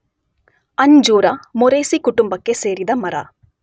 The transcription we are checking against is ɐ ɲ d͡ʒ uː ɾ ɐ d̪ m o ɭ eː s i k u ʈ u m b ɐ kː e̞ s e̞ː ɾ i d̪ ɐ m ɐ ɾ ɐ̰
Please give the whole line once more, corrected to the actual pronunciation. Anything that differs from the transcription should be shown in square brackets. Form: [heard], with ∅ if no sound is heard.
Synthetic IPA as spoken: ɐ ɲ d͡ʒ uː ɾ ɐ [∅] m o [ɾ] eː s i k u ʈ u m b ɐ kː e̞ s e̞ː ɾ i d̪ ɐ m ɐ ɾ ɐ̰